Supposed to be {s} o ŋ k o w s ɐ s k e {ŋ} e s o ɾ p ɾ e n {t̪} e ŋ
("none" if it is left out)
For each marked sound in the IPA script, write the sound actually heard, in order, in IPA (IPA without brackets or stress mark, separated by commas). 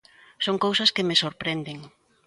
s, m, d̪